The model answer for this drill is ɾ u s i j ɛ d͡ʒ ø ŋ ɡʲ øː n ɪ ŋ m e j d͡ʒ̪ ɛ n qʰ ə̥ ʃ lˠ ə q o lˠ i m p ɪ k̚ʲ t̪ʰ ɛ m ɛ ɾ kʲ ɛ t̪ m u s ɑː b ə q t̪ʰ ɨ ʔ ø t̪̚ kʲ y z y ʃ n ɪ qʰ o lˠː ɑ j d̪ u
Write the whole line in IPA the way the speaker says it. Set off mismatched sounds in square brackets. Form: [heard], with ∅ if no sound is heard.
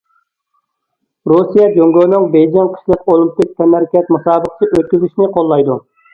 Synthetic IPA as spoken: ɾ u s i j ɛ d͡ʒ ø ŋ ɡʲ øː n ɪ ŋ [b] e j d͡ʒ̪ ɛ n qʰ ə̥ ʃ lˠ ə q o lˠ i m p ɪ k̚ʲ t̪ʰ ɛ m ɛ ɾ kʲ ɛ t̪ m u s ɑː b ə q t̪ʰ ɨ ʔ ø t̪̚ kʲ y z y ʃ n ɪ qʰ o lˠː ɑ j d̪ u

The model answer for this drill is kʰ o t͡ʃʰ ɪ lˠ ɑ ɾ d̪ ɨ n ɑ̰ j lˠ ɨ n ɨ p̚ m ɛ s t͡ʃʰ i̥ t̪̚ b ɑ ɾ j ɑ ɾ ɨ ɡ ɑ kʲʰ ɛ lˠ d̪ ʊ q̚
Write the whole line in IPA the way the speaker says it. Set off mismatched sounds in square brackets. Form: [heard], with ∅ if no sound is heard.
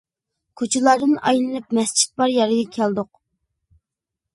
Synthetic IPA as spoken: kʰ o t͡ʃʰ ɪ lˠ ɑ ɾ d̪ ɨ n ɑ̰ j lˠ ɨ n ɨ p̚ m ɛ s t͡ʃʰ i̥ t̪̚ b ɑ ɾ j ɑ ɾ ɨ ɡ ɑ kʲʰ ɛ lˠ d̪ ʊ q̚

